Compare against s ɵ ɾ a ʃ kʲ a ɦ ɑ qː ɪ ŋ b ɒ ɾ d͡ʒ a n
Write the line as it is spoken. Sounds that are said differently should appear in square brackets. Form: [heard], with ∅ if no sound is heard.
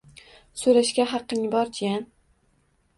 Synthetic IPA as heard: s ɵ ɾ a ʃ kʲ a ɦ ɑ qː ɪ ŋ b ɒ ɾ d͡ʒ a n